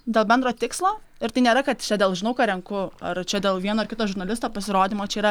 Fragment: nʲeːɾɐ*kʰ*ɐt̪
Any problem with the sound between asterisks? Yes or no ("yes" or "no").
yes